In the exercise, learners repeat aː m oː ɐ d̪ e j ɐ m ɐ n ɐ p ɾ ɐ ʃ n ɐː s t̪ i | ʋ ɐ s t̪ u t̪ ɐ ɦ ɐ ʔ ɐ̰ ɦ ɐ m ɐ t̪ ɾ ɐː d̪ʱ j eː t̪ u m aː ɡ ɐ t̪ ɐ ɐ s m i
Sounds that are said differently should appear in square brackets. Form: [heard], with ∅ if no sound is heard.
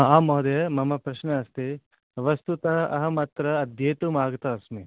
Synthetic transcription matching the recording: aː m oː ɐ d̪ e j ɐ m ɐ [m] ɐ p ɾ ɐ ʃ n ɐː s t̪ i | ʋ ɐ s t̪ u t̪ ɐ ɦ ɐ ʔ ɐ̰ ɦ ɐ m ɐ t̪ ɾ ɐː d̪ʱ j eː t̪ u m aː ɡ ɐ t̪ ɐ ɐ s m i